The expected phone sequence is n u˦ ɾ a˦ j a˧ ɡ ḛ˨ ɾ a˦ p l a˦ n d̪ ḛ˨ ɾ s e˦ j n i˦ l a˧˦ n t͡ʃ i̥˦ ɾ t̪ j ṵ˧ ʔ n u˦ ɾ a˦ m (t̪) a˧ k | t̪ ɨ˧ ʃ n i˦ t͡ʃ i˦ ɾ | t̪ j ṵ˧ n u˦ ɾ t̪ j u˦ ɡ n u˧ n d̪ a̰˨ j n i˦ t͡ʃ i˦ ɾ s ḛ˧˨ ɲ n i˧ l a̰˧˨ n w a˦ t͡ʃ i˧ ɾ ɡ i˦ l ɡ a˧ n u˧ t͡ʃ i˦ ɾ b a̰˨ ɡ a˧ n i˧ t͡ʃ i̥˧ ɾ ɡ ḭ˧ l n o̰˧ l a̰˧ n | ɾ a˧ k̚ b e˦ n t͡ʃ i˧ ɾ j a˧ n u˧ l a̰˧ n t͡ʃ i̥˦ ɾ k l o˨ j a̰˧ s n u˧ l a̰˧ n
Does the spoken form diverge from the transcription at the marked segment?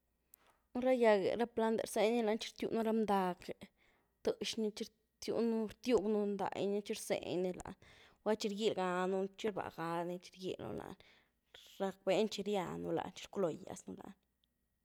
yes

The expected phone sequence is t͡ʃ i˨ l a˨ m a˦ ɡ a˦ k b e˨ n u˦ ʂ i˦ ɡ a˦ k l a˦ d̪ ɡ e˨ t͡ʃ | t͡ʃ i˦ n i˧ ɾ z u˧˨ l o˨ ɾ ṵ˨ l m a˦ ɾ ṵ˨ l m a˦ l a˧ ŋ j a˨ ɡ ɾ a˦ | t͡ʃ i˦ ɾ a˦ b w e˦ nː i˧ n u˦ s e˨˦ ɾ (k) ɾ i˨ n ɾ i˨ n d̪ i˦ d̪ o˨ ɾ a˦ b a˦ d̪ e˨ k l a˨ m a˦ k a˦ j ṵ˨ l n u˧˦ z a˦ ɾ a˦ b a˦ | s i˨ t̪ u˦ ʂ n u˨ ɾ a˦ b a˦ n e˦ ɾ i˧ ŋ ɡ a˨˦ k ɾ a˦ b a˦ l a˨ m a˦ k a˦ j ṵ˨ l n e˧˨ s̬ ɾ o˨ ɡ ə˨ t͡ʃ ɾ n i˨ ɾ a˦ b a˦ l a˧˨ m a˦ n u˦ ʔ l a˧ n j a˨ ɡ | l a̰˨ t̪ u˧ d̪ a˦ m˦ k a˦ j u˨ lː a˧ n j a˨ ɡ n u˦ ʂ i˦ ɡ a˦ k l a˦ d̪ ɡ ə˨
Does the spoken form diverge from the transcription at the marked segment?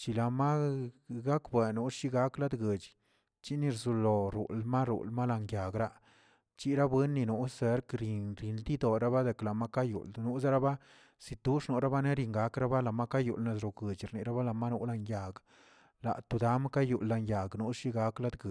no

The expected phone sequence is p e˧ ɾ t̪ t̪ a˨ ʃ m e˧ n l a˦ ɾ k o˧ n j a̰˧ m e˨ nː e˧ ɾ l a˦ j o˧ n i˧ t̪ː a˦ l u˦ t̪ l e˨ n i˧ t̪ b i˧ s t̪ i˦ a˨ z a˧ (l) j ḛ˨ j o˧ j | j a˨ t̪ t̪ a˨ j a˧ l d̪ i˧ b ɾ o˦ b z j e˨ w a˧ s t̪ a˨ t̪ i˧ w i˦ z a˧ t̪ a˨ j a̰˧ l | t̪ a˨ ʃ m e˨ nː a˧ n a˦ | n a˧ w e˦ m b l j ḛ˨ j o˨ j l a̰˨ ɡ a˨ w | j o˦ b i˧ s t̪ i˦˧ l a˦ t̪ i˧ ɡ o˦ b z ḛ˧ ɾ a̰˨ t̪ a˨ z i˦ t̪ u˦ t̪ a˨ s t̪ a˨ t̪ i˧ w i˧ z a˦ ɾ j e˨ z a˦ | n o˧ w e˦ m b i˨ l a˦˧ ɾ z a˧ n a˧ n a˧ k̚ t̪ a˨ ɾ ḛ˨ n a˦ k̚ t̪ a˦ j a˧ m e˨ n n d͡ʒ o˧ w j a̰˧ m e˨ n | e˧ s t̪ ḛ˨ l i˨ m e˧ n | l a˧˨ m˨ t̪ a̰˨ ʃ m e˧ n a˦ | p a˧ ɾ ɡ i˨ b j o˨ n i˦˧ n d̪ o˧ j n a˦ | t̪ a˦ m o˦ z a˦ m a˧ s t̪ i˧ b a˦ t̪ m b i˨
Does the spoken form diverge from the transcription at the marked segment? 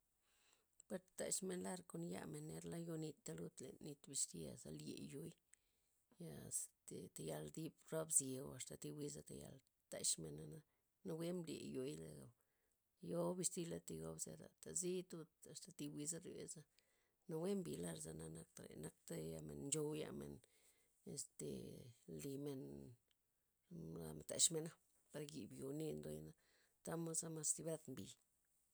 no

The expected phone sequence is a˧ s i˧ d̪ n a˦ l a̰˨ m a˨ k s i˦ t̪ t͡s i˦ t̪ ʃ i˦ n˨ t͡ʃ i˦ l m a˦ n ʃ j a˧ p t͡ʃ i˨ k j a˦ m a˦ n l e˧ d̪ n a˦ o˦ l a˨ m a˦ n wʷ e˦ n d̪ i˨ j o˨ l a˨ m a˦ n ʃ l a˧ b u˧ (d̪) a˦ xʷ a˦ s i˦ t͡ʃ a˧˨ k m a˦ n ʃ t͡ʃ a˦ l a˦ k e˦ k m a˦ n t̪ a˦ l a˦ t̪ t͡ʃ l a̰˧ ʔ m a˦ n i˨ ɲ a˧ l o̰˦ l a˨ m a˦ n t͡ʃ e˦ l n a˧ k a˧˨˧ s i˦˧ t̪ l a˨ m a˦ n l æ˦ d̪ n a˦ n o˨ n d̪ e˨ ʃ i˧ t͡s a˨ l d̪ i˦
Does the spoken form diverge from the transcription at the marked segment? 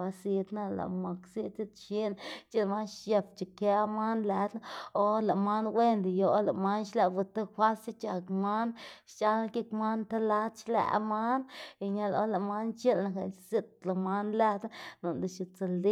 yes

